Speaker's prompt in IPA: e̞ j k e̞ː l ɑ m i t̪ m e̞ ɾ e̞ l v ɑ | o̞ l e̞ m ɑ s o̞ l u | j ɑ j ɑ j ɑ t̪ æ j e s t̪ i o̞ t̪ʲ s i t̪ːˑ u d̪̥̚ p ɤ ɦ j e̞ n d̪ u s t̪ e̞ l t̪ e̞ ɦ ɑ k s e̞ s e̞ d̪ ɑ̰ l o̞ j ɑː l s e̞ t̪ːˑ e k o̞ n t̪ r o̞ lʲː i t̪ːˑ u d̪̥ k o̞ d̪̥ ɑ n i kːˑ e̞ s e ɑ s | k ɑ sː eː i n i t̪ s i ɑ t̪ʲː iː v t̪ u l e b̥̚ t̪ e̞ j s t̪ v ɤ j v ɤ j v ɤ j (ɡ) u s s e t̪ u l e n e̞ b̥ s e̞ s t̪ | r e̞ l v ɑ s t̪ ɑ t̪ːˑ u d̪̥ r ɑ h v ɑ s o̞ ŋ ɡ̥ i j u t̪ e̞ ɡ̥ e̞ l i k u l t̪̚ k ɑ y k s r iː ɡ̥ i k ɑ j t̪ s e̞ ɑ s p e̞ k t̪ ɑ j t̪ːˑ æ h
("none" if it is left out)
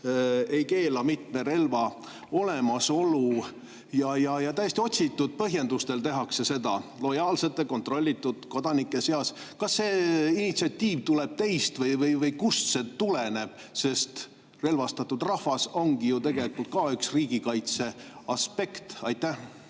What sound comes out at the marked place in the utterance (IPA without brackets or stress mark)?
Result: k